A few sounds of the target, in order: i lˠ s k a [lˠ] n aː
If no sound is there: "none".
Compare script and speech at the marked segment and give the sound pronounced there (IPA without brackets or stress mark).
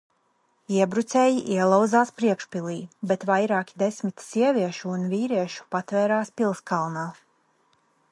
lˠ